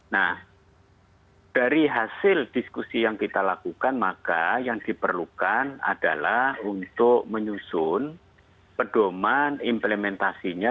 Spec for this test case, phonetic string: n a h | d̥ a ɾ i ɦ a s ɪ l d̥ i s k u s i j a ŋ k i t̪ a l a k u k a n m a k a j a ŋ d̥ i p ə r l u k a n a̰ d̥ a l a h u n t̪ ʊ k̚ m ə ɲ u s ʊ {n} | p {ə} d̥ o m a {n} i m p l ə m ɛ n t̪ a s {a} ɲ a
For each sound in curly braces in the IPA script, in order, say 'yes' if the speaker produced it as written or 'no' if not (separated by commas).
yes, yes, yes, no